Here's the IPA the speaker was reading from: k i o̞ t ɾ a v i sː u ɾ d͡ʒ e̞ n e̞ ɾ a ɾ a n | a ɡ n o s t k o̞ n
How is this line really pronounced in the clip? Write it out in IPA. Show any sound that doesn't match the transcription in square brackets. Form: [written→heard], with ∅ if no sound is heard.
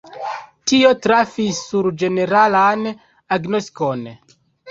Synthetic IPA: [k→t] i o̞ t ɾ a [v→f] i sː u ɾ d͡ʒ e̞ n e̞ ɾ a [ɾ→l] a n | a ɡ n o s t k o̞ n